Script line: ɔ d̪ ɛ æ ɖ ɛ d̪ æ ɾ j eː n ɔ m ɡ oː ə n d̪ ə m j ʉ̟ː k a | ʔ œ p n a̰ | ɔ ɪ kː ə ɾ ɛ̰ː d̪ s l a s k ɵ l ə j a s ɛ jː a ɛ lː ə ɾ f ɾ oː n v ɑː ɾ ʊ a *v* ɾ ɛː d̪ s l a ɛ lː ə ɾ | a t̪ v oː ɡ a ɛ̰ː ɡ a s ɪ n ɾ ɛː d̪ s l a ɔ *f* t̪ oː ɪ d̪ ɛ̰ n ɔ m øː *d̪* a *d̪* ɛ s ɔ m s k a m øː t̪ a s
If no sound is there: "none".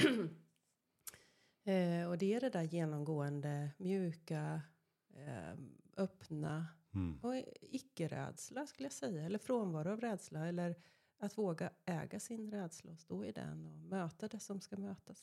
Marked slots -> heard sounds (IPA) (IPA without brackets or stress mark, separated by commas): v, s, t̪, d̪